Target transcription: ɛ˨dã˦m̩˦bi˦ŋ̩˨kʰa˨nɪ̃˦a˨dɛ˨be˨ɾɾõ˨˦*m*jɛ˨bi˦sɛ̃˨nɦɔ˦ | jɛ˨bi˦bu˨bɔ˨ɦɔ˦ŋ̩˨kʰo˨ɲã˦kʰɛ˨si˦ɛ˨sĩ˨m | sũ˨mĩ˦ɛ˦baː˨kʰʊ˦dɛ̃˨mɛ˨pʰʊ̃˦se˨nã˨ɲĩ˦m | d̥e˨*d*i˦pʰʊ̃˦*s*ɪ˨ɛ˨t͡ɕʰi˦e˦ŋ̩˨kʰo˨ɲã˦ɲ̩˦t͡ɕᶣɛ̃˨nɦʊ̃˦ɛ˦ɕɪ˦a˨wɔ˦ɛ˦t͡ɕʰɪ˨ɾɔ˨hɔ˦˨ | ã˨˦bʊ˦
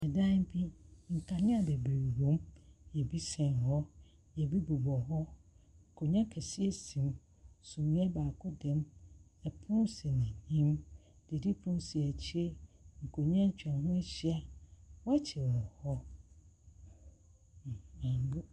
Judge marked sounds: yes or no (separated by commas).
yes, yes, yes